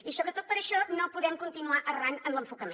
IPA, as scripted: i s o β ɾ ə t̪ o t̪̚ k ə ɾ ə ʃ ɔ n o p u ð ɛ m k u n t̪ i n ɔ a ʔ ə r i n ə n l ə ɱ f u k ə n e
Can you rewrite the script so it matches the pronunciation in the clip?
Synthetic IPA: i s o β ɾ ə t̪ o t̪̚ p ə ɾ ə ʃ ɔ n o p u ð ɛ m k u n t̪ i n u a ʔ ə r a n ə n l ə ɱ f u k ə m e